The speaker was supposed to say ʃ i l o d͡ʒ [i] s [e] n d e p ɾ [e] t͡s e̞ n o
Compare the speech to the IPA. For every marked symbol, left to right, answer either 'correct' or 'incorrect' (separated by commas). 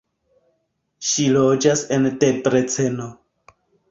incorrect, correct, correct